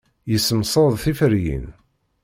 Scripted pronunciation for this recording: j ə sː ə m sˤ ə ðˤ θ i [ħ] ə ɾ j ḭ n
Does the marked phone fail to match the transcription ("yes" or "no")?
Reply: yes